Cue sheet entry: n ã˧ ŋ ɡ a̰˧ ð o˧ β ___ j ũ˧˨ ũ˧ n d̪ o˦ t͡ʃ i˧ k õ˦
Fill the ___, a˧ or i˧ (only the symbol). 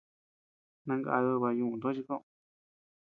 a˧